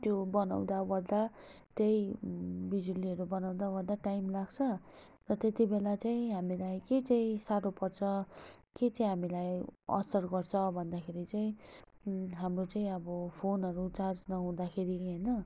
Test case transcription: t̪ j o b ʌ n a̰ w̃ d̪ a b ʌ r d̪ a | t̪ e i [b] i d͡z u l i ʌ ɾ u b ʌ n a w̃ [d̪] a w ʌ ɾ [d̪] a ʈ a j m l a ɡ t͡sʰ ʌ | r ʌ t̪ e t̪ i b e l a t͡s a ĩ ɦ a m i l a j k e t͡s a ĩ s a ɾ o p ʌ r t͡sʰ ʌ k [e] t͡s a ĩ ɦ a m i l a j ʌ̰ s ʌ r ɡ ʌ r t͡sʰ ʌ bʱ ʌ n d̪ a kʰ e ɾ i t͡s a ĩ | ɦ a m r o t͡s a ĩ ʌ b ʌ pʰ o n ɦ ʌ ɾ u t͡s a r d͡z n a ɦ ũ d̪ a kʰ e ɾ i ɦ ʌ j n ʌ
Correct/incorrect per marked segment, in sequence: correct, correct, correct, correct

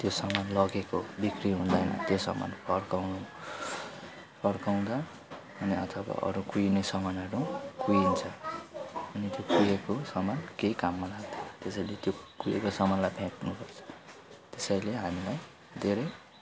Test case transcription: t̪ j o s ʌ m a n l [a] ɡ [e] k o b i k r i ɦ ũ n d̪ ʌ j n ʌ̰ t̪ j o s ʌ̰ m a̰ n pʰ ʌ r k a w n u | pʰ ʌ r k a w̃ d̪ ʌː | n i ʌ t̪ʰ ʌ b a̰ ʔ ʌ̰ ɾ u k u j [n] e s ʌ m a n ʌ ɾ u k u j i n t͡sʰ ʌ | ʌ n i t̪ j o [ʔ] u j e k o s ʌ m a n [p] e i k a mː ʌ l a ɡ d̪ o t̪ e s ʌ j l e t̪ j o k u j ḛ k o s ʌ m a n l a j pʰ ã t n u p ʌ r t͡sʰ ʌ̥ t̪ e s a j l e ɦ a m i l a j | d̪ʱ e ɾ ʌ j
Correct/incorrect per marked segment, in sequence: incorrect: ʌ, correct, correct, incorrect: k, incorrect: k

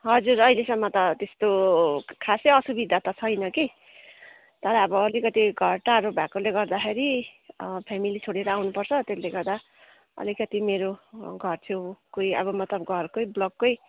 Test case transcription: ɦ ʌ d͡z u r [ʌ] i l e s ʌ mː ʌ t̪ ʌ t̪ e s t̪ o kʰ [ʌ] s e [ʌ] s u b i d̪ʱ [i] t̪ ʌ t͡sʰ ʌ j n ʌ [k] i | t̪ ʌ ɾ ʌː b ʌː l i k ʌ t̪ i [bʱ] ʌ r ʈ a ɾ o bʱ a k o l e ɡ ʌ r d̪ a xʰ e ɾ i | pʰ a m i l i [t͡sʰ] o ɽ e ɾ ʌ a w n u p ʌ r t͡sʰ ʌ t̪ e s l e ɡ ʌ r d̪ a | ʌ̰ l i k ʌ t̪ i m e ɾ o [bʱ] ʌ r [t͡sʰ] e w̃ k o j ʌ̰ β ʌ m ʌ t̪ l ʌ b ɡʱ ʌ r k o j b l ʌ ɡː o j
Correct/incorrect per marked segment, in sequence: correct, incorrect: a, correct, incorrect: a, correct, incorrect: ɡʱ, correct, incorrect: ɡʱ, correct

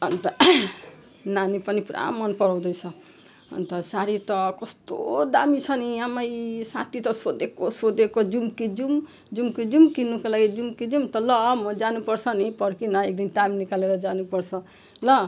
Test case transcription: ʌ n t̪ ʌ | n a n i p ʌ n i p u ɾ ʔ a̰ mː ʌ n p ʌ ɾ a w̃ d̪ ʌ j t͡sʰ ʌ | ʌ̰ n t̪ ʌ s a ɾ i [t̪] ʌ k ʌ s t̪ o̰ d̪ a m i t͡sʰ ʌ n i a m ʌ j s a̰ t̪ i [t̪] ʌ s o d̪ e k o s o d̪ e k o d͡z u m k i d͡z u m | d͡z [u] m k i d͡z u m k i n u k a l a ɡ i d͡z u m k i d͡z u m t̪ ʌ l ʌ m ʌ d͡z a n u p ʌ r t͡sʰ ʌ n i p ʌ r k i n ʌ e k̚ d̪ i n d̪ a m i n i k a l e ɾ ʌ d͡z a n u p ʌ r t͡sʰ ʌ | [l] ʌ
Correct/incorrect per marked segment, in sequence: correct, correct, correct, correct

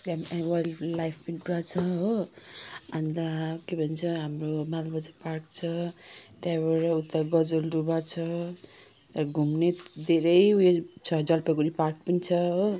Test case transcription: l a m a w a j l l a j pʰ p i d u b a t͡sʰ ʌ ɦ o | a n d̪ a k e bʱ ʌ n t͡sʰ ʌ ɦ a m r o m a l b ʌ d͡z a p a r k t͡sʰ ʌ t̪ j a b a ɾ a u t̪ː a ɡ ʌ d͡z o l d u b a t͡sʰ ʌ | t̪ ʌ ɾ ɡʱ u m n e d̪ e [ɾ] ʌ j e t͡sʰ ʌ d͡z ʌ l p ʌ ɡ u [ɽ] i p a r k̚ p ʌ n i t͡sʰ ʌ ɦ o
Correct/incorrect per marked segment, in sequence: correct, incorrect: ɾ

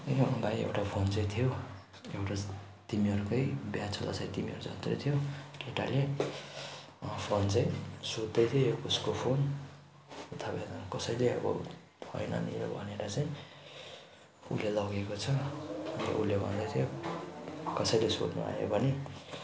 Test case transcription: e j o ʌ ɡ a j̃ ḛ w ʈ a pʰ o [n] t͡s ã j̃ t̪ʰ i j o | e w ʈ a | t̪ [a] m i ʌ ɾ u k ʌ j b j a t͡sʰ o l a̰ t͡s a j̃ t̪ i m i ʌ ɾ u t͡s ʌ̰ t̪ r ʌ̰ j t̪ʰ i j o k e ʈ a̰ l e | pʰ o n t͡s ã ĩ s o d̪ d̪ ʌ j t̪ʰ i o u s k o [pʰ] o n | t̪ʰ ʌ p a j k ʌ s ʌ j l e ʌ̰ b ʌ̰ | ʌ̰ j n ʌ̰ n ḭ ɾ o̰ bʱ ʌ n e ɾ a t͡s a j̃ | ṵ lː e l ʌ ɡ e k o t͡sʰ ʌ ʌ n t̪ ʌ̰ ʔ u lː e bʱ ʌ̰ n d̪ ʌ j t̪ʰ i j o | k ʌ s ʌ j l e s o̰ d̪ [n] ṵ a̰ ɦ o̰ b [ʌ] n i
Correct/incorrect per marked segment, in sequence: correct, incorrect: i, correct, correct, correct

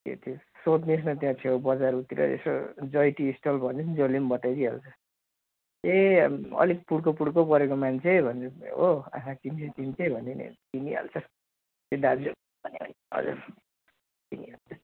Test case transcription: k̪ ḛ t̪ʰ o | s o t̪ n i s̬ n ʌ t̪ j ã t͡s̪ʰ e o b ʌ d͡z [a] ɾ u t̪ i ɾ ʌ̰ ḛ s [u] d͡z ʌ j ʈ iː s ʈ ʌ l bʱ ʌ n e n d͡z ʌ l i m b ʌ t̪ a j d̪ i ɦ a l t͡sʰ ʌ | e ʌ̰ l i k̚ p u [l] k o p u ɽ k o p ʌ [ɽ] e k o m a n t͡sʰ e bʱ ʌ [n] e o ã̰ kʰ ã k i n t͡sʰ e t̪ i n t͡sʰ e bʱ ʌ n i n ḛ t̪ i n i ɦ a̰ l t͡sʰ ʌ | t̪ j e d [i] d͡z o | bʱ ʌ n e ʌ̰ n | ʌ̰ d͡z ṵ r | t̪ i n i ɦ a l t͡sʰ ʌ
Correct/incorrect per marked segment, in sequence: correct, incorrect: o, incorrect: ɽ, incorrect: ɾ, correct, incorrect: a

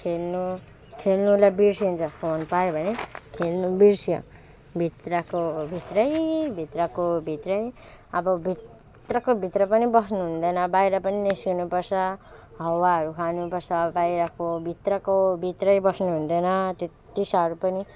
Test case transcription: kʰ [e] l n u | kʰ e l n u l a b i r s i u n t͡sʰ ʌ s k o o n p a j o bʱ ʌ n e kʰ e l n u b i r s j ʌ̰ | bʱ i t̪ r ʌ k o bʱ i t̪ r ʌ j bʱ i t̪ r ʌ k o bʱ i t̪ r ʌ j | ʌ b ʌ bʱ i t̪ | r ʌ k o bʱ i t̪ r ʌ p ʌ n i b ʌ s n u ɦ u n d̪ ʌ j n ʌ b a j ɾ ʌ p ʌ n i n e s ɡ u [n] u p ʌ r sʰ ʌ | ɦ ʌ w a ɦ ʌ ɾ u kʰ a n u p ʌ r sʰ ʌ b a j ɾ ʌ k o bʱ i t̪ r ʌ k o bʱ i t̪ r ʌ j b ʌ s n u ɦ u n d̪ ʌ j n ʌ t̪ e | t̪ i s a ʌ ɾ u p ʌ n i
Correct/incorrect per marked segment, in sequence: correct, correct

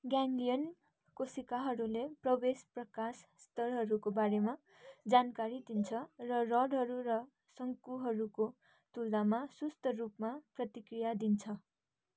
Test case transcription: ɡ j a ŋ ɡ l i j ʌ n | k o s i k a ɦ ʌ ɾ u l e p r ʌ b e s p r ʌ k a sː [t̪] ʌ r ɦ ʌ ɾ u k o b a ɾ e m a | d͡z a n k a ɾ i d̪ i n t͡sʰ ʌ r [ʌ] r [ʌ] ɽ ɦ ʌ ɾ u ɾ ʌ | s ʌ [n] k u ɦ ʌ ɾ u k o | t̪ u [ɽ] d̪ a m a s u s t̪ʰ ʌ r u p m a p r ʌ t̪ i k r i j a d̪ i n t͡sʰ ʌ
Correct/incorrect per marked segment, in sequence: correct, correct, correct, incorrect: ŋ, incorrect: l

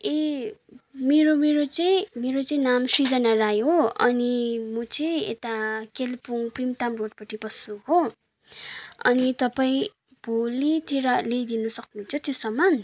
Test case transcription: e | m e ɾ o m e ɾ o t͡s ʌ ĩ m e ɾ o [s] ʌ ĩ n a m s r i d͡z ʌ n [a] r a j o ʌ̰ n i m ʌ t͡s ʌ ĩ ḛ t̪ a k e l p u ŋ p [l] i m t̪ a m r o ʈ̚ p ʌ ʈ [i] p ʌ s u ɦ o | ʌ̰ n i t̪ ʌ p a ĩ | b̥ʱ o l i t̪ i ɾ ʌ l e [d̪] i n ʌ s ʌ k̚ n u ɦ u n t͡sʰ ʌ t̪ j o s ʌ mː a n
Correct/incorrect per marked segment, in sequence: incorrect: t͡s, correct, incorrect: r, correct, correct

